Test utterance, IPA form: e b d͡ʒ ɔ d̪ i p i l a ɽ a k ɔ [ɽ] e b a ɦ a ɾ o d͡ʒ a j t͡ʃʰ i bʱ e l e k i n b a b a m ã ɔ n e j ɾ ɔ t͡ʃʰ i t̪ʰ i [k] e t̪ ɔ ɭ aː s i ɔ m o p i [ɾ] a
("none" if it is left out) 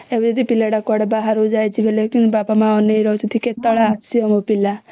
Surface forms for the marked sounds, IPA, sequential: ɽ, k, l

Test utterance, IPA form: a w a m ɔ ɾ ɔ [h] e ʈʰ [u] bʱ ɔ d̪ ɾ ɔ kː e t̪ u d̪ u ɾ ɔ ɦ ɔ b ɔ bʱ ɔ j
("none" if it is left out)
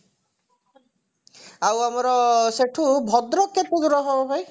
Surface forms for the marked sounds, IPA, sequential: s, u

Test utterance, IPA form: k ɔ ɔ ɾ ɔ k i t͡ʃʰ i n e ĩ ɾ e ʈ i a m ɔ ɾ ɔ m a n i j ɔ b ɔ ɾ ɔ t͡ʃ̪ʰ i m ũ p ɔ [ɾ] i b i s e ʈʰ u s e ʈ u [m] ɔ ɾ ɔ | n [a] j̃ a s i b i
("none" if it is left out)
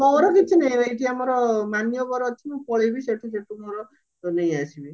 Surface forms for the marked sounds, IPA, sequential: ɭ, m, e

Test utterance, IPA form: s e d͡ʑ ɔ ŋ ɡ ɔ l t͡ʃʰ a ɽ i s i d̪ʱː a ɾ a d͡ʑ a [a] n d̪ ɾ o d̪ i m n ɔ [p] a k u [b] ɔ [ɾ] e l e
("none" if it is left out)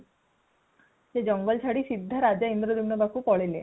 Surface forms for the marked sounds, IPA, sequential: i, b, p, ɭ

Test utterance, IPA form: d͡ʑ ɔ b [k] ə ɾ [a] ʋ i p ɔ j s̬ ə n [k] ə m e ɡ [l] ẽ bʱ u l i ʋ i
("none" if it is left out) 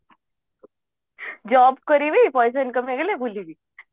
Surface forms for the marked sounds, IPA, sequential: k, i, k, l

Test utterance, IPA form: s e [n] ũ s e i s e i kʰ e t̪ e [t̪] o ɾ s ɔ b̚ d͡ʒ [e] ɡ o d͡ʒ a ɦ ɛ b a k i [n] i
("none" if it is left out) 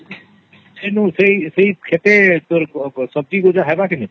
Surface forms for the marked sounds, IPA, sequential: n, t̪, i, n

